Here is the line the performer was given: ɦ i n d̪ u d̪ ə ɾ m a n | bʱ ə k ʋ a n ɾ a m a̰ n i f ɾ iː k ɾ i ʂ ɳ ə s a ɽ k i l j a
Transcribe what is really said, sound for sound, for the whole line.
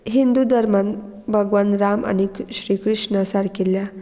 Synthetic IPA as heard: ɦ i n d̪ u d̪ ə ɾ m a n | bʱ ə ɡ ʋ a n ɾ a m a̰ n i ɕ ɾ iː k ɾ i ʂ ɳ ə s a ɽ k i l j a